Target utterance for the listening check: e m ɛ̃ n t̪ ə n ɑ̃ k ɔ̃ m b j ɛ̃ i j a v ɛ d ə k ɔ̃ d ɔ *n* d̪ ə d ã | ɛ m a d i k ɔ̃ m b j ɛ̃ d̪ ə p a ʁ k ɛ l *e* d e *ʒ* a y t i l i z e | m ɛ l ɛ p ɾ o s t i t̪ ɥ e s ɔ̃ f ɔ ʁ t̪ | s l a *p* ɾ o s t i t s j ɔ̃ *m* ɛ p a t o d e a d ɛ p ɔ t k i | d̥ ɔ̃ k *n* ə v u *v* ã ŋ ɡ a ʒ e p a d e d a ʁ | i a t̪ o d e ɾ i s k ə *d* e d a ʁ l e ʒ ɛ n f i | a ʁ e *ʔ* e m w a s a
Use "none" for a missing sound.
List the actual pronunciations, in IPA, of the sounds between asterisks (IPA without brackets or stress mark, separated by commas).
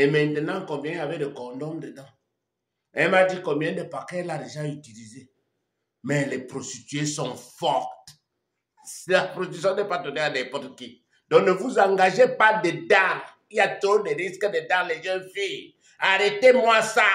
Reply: m, a, ʒ, p, n, n, z, d, t